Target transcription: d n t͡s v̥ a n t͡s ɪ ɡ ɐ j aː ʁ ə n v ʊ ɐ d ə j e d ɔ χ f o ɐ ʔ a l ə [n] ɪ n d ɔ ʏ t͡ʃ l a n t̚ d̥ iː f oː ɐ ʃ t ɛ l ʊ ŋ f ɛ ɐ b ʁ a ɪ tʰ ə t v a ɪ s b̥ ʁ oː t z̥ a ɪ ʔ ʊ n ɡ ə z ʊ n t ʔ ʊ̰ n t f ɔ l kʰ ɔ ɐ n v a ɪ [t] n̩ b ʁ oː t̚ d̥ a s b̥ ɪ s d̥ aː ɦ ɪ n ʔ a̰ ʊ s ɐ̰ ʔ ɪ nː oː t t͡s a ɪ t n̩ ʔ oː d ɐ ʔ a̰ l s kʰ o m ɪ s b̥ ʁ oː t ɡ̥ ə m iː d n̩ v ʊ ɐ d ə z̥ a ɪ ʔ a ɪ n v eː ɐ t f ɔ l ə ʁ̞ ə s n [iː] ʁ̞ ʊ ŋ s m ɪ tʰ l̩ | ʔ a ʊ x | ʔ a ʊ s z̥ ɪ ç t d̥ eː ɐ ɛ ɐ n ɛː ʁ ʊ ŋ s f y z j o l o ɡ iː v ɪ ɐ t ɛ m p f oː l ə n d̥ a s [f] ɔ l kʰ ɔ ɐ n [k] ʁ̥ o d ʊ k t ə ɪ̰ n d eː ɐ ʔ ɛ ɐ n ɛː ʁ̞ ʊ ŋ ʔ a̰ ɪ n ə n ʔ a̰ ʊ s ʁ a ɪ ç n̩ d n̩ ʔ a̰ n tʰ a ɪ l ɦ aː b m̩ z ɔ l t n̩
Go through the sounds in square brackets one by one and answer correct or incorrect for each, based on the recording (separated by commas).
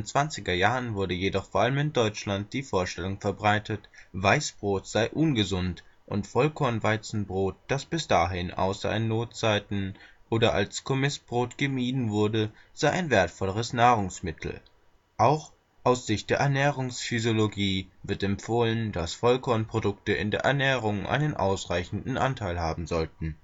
incorrect, incorrect, incorrect, correct, incorrect